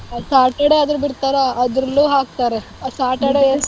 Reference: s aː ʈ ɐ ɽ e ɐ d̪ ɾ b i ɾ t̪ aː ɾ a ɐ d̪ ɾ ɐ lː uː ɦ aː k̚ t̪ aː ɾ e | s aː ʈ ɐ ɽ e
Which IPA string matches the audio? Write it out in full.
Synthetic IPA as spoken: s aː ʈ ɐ ɽ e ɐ d̪ ɾ b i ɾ t̪ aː ɾ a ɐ d̪ ɾ ɐ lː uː ɦ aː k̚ t̪ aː ɾ e | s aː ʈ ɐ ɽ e